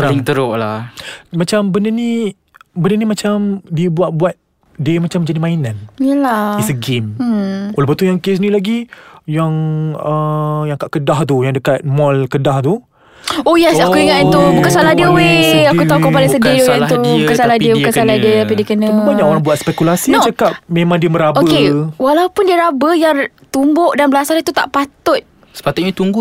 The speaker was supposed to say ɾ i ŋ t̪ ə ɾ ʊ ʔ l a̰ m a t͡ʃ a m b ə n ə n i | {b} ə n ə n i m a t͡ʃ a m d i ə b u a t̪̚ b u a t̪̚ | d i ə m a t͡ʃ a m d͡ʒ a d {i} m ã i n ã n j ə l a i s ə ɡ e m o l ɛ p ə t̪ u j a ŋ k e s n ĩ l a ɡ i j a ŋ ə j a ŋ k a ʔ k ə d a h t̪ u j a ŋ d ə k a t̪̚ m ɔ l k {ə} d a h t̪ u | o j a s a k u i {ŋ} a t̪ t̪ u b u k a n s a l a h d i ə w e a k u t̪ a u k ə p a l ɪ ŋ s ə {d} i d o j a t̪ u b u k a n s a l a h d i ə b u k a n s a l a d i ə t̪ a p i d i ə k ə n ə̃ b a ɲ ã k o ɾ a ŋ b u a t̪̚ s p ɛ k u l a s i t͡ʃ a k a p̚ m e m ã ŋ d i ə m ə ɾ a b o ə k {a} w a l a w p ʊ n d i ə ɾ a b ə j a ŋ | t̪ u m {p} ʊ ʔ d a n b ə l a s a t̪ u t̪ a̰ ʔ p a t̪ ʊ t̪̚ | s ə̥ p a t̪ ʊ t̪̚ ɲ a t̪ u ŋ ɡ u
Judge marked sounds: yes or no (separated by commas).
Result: yes, yes, yes, yes, yes, no, no